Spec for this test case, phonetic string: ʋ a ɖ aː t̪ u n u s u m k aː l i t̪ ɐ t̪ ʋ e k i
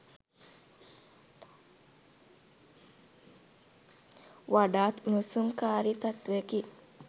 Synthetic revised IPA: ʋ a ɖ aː t̪ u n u s u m k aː ɾ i t̪ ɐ t̪ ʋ e k i

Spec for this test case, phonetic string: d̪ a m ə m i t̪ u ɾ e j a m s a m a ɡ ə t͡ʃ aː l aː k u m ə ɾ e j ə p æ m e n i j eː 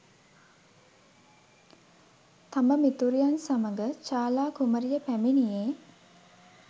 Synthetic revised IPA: t̪ a m ə m i t̪ u ɾ i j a n s a m ə ɡ ə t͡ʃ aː l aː k u m ə ɾ i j ə p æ m i n i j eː

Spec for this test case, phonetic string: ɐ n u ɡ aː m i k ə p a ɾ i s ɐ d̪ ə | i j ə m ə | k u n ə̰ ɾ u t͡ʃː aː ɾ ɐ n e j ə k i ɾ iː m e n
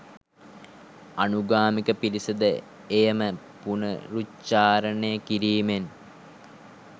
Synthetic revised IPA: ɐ n u ɡ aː m i k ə p i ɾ i s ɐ d̪ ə | e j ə m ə | p u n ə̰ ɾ u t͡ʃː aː ɾ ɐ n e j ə k i ɾ iː m e n

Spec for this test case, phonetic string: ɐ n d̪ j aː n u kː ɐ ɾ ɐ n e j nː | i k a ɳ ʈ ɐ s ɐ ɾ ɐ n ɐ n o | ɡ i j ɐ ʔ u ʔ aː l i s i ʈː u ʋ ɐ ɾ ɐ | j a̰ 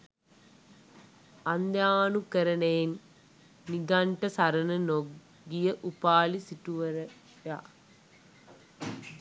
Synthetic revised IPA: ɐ n d̪ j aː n u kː ɐ ɾ ɐ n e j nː | i ɡ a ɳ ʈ ɐ s ɐ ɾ ɐ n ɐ n o | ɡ i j ɐ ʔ u p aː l i s i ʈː u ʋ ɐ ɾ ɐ | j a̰

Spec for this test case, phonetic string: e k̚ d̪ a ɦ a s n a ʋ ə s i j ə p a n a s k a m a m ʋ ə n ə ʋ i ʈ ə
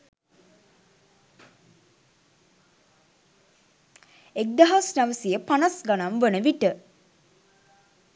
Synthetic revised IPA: e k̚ d̪ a ɦ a s n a ʋ ə s i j ə p a n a s ɡ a n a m ʋ ə n ə ʋ i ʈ ə

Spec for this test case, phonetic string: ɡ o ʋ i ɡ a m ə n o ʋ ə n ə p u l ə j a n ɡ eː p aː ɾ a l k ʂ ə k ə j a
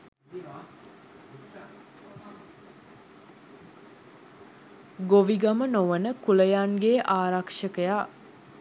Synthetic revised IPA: ɡ o ʋ i ɡ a m ə n o ʋ ə n ə k u l ə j a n ɡ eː ʔ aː ɾ a k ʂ ə k ə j a

